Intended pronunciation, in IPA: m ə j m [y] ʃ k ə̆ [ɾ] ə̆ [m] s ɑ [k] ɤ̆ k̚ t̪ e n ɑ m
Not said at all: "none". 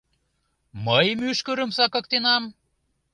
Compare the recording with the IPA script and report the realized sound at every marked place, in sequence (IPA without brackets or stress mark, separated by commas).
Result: y, ɾ, m, k